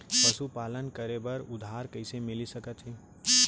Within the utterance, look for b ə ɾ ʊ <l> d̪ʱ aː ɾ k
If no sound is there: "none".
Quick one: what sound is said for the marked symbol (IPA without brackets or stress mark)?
none